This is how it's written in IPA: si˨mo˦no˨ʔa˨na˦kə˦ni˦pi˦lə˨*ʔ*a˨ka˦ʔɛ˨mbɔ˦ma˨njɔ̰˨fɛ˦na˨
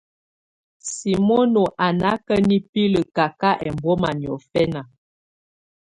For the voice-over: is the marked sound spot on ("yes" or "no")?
no